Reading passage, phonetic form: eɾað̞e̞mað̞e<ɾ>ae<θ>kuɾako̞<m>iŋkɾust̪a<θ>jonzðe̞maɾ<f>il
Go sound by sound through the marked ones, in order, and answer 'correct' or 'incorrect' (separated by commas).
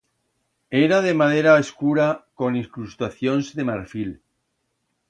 correct, incorrect, incorrect, correct, correct